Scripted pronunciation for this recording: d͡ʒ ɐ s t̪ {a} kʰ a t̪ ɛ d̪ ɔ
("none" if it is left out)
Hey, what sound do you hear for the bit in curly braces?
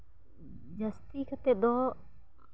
i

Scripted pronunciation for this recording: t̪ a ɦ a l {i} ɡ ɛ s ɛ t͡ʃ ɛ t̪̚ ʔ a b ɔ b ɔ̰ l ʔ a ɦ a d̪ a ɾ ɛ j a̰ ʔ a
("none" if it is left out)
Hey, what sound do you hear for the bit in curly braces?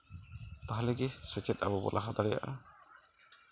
ɛ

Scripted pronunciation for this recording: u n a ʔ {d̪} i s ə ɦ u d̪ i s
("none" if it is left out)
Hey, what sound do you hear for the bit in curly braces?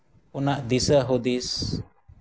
d̪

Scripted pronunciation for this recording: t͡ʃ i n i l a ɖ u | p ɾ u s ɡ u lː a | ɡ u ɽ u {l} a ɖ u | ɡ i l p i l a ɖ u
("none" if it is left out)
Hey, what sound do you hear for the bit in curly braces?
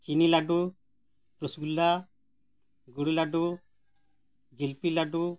l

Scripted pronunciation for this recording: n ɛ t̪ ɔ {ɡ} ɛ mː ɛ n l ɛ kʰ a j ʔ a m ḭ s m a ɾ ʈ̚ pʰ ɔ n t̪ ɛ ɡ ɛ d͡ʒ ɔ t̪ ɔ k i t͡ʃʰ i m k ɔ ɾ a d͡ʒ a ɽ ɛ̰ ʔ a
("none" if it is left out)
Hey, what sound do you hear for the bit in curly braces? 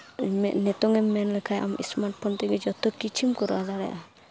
ŋ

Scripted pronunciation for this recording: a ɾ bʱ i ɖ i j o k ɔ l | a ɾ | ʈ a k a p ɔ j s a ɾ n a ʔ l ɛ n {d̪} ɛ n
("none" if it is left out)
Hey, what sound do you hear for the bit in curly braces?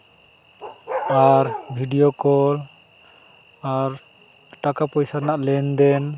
d̪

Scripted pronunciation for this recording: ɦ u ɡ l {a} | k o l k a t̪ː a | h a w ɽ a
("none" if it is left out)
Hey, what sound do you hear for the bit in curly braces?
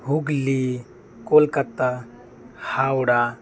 i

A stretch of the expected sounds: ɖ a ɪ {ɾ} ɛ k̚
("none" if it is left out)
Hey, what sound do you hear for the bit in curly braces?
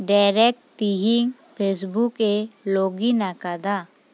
ɾ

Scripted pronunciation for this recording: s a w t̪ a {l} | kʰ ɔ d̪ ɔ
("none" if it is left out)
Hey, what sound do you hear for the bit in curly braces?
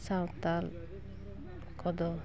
l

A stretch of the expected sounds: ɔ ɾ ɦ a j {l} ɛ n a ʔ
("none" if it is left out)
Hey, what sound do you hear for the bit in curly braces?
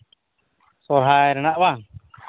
ɾ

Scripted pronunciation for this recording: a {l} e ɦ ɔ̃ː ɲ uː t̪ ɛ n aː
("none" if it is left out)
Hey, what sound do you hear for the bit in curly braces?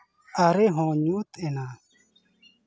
ɾ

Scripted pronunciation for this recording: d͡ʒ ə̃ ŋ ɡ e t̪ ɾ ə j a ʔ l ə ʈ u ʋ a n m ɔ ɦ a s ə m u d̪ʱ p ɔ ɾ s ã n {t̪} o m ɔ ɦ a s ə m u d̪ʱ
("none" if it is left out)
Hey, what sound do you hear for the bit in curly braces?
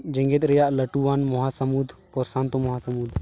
t̪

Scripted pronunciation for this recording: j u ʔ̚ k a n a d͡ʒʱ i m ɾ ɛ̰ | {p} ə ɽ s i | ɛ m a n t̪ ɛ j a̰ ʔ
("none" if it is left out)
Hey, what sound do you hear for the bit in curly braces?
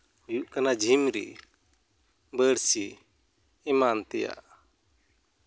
b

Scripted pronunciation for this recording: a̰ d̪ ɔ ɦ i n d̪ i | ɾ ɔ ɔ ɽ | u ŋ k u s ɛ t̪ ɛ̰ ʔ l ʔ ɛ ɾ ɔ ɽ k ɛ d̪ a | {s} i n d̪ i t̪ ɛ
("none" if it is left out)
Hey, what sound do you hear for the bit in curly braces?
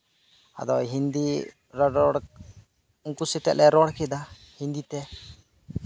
h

